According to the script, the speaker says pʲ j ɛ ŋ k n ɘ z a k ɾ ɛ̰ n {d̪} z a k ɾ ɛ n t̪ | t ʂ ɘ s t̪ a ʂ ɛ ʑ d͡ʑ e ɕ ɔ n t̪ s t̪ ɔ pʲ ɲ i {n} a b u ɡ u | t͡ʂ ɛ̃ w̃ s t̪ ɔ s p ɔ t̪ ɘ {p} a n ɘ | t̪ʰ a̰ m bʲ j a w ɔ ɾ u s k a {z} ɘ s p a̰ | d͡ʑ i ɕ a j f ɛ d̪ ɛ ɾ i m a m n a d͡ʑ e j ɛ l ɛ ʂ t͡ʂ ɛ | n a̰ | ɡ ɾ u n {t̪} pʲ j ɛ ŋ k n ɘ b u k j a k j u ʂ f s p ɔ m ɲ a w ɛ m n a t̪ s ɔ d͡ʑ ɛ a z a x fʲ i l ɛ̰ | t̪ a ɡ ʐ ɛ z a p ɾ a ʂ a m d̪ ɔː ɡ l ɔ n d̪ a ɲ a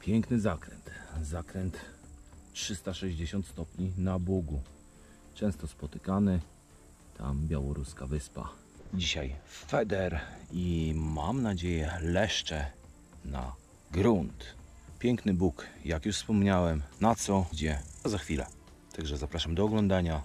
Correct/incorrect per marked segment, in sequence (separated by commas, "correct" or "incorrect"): incorrect, correct, incorrect, incorrect, correct